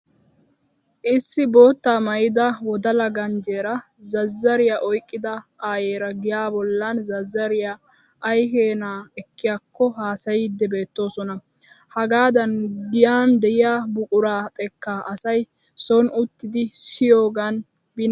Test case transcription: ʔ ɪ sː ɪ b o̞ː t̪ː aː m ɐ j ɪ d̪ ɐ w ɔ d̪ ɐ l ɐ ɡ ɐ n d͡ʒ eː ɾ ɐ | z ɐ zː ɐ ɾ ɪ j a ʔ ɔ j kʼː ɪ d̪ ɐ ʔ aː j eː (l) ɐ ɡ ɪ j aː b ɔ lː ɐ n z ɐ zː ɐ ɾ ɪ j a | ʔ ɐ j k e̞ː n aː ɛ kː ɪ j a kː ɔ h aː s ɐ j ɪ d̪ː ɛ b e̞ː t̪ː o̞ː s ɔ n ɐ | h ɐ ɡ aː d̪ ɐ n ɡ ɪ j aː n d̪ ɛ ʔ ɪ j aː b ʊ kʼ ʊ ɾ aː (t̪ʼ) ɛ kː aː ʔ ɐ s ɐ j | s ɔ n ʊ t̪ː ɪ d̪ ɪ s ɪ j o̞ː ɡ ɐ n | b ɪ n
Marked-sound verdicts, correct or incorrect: incorrect: ɾ, correct

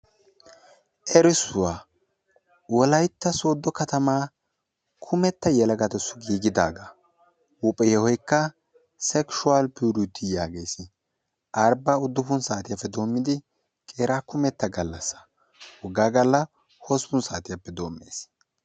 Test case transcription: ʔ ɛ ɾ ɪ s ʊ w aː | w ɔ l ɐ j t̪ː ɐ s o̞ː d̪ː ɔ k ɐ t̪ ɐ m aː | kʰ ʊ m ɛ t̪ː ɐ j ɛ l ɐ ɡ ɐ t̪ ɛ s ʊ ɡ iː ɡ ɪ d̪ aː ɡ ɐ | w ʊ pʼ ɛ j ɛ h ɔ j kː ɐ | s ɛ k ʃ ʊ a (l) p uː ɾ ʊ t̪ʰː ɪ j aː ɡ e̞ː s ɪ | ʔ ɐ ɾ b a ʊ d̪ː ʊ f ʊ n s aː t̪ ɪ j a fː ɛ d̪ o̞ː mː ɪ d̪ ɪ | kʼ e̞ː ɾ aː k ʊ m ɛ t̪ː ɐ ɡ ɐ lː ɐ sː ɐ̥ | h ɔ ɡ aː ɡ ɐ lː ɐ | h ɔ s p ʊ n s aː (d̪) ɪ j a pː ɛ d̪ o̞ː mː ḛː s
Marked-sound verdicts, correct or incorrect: correct, incorrect: t̪

